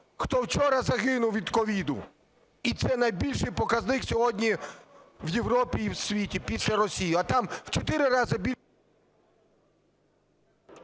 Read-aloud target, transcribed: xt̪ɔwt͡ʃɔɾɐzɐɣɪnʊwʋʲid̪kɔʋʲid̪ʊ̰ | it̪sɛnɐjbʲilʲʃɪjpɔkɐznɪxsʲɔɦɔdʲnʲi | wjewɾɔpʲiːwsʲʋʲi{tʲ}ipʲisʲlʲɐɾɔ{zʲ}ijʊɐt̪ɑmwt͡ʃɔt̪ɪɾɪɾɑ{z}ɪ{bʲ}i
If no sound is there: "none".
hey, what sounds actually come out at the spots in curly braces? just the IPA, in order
tʲ, sʲ, z, bʲ

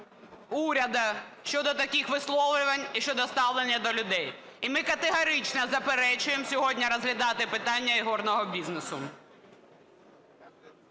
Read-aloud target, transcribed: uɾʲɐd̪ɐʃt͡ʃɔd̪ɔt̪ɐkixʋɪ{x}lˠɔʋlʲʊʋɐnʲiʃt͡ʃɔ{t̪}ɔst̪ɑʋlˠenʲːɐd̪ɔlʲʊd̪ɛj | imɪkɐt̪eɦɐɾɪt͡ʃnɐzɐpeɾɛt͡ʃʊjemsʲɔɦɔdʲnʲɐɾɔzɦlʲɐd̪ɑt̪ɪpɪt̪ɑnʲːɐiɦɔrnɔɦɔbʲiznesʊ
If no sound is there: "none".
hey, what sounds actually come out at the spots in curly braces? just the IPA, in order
s, d̪

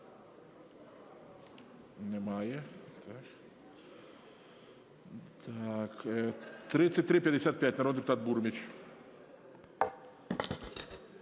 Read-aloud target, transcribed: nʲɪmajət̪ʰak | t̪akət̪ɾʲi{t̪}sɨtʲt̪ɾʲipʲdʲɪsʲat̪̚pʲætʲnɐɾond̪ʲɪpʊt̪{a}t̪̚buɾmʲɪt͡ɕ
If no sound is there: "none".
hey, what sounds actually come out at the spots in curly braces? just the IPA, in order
t̪, a

